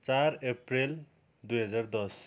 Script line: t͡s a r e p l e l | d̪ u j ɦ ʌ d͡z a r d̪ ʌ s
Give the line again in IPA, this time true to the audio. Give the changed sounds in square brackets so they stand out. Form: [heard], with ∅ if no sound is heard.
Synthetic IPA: t͡s a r e p [r] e l | d̪ u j ɦ ʌ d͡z a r d̪ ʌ s